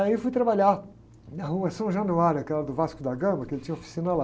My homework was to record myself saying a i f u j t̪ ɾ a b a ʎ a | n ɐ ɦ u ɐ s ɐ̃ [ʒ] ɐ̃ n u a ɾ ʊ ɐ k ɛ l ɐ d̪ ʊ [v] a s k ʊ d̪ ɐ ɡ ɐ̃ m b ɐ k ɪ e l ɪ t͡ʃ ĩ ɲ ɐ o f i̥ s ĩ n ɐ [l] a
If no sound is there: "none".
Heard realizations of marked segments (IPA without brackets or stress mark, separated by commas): ʒ, v, l